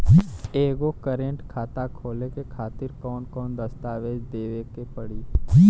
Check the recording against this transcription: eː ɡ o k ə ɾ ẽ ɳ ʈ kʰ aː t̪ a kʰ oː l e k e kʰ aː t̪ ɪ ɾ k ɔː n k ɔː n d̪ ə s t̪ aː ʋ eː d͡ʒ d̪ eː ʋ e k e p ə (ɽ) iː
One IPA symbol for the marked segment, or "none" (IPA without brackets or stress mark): ɽ